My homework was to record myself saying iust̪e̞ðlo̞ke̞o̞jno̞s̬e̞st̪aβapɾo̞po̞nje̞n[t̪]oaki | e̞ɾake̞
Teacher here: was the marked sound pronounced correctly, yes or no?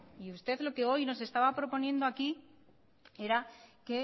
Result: no